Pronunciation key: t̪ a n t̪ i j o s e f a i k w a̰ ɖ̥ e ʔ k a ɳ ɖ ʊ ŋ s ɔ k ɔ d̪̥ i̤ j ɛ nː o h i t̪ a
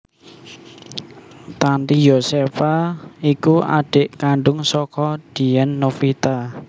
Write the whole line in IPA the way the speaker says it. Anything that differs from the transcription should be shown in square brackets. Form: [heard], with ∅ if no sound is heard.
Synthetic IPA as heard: t̪ a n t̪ i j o s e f a i k [u] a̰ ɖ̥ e ʔ k a ɳ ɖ ʊ ŋ s ɔ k ɔ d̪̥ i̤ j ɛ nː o [f] i t̪ a